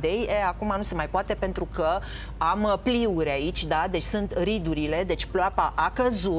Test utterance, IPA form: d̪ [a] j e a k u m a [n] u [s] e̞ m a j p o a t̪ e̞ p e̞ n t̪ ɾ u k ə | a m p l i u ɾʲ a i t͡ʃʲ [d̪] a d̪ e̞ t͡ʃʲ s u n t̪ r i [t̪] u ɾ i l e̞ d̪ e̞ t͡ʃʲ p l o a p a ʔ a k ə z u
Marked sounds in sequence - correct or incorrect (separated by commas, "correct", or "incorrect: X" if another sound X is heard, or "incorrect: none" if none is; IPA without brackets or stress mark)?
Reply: incorrect: e, correct, correct, correct, incorrect: d̪